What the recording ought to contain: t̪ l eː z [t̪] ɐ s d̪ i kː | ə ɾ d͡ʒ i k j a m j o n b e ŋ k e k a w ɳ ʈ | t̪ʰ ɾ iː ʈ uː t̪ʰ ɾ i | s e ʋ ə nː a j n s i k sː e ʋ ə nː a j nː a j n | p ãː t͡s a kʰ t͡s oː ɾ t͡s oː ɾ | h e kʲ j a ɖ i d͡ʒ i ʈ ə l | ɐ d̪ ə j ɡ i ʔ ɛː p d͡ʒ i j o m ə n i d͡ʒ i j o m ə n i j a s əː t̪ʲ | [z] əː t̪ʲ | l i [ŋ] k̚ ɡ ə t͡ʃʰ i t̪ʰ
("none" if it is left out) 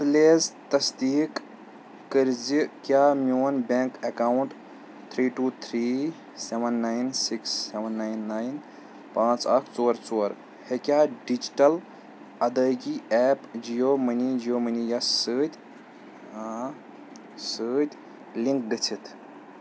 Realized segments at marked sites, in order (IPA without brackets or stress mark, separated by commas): t̪, s, ŋ